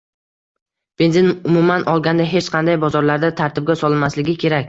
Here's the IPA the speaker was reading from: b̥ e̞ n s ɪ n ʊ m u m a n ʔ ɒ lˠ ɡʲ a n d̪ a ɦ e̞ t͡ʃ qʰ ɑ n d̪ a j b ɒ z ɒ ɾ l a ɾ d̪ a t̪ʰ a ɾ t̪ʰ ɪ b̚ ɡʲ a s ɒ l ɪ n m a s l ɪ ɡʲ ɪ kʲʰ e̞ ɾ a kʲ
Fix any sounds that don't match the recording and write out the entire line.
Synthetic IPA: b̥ e̞ n z ɪ n ʊ m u m a n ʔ ɒ lˠ ɡʲ a n d̪ a ɦ e̞ t͡ʃ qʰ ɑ n d̪ a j b ɒ z ɒ ɾ l a ɾ d̪ a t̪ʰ a ɾ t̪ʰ ɪ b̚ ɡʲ a s ɒ l ɪ n m a s l ɪ ɡʲ ɪ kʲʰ e̞ ɾ a kʲ